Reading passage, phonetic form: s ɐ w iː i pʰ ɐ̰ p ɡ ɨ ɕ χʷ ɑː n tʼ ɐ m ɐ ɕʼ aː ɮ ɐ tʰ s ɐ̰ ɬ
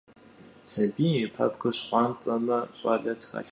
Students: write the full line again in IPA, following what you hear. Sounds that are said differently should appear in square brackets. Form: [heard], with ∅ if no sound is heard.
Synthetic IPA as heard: s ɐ [b] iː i pʰ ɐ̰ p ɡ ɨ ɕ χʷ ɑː n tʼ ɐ m ɐ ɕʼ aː ɮ ɐ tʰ [x] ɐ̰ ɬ